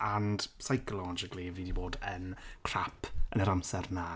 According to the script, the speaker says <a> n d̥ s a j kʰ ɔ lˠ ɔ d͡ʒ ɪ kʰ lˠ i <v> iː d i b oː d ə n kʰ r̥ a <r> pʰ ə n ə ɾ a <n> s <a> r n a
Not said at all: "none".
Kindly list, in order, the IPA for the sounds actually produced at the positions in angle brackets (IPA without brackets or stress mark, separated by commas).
a, v, none, m, ɛ